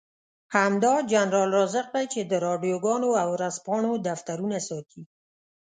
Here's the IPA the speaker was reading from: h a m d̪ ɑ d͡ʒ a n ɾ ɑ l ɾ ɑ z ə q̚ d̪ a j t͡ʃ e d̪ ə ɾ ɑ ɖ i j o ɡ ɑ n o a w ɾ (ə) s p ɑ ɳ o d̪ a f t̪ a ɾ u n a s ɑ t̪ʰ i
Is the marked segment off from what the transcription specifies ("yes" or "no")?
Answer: yes